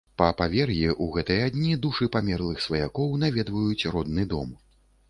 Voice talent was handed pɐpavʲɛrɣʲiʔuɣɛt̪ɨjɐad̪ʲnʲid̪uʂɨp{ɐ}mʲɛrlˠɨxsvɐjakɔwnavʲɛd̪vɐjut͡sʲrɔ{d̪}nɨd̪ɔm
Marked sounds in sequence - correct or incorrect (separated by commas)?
incorrect, correct